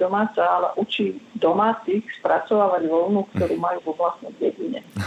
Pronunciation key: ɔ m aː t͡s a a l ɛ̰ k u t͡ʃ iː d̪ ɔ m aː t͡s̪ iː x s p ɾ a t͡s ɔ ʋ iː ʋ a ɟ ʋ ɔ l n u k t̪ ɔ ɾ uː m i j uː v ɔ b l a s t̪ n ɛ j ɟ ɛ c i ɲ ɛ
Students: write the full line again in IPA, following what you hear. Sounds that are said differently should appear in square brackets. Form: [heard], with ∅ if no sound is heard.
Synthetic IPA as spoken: ɔ m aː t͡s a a l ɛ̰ [ʔ] u t͡ʃ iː d̪ ɔ m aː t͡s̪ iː x s p ɾ a t͡s ɔ ʋ [aː] ʋ a ɟ ʋ ɔ l n u k t̪ ɔ ɾ uː m [a] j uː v ɔ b l a s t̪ n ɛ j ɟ ɛ [ɟ] i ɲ ɛ